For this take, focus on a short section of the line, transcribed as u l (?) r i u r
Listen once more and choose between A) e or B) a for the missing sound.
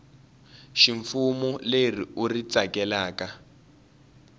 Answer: A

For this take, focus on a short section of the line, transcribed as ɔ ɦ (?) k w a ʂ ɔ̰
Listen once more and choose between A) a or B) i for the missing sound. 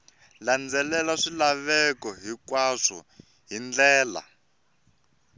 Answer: B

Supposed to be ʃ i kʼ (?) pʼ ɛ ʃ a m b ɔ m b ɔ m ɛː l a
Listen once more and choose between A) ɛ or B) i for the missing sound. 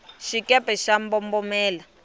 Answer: A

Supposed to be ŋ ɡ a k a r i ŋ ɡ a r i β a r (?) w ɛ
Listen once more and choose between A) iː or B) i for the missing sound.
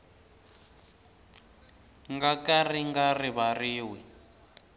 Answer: A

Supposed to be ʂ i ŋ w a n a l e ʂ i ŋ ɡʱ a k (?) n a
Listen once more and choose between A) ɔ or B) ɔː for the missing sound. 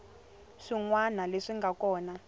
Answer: B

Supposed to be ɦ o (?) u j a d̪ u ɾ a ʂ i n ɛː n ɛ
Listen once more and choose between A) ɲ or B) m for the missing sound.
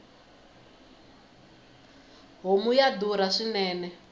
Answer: B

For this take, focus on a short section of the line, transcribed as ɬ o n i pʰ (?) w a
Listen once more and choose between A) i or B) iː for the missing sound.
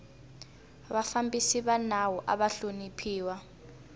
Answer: B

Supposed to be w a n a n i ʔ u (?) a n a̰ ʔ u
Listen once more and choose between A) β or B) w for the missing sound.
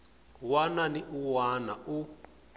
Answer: B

